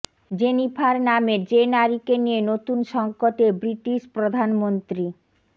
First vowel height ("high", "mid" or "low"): mid